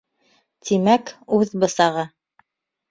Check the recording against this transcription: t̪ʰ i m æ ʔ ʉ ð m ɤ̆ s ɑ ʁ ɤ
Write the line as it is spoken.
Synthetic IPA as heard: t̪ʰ i m æ k ʉ ð b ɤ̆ s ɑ ʁ ɤ